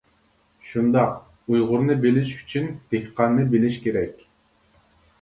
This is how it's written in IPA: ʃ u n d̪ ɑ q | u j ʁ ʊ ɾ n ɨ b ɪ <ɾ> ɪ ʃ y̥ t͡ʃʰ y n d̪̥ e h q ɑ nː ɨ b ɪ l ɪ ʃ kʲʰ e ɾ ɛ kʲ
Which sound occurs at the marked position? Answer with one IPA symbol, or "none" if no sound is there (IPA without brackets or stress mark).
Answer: l